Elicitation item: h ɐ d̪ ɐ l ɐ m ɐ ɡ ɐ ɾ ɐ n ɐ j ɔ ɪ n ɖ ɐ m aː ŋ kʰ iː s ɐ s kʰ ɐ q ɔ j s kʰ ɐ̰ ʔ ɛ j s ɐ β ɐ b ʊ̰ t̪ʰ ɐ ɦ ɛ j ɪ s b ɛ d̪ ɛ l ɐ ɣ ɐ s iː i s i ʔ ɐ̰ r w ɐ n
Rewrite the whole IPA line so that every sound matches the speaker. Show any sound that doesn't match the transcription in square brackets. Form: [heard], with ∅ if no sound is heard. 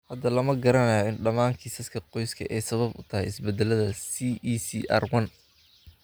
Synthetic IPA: h ɐ d̪ ɐ l ɐ m ɐ ɡ ɐ ɾ ɐ n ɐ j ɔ ɪ n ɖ ɐ m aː ŋ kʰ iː s ɐ s kʰ ɐ q ɔ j s kʰ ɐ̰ ʔ ɛ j s ɐ β ɐ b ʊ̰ t̪ʰ ɐ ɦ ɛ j ɪ s b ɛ d̪ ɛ l ɐ [ð] ɐ s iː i s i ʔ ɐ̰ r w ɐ n